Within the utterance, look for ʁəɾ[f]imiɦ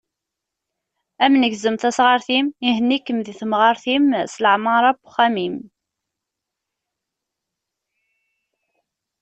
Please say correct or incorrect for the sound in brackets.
incorrect